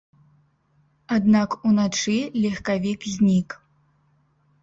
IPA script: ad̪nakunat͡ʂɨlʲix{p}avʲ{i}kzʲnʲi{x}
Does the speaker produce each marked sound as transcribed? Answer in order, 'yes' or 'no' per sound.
no, yes, no

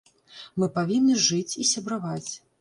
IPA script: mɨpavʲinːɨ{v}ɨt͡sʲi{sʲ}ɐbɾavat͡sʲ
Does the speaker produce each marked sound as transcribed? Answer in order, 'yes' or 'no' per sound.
no, yes

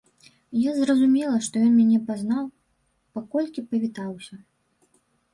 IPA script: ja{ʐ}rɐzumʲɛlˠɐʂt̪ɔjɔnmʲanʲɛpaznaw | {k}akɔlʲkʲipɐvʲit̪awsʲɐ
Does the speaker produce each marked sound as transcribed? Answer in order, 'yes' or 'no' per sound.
no, no

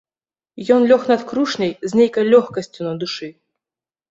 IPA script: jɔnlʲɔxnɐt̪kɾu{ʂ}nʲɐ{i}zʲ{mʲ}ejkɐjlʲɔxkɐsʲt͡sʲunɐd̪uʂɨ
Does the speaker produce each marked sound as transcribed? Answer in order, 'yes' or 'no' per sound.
yes, no, no

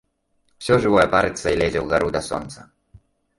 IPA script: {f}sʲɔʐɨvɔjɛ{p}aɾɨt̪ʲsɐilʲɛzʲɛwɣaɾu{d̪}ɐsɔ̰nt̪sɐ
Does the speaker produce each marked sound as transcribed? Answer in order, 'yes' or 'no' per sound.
yes, yes, yes

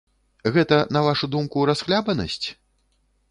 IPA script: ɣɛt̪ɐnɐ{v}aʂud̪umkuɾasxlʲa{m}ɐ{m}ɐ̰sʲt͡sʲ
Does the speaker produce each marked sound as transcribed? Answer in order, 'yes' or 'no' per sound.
yes, no, no

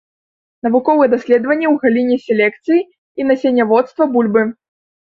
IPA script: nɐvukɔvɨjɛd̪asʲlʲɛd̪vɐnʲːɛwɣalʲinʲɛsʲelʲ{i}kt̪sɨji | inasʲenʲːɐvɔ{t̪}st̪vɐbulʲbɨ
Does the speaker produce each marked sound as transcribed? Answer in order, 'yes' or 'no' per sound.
no, yes

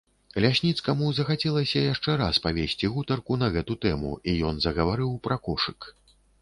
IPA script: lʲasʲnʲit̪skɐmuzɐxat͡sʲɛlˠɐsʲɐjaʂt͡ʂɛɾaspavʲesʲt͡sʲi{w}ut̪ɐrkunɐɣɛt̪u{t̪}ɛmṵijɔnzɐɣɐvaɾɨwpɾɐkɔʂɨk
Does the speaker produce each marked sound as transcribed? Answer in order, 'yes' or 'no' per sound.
no, yes

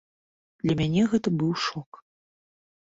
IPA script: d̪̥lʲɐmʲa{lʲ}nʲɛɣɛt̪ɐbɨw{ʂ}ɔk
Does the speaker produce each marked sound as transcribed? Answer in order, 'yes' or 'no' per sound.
no, yes

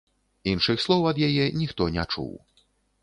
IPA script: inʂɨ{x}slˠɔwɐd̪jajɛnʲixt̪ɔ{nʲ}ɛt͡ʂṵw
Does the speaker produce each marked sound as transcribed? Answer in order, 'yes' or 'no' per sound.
yes, yes

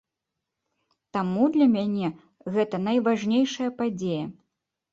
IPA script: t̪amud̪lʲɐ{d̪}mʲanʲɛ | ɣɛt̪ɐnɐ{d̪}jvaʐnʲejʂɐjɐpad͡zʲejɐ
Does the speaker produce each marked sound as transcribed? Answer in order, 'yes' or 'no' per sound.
no, no

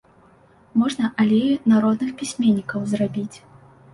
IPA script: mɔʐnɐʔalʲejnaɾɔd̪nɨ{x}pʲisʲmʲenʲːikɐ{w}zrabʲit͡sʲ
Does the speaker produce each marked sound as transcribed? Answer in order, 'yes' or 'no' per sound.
yes, yes

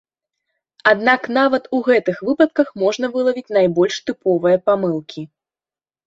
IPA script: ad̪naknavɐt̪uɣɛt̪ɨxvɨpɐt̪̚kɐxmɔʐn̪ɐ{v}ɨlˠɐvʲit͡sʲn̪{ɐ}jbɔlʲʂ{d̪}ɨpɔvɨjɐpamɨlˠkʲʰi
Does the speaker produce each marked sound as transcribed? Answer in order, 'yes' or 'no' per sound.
yes, no, no

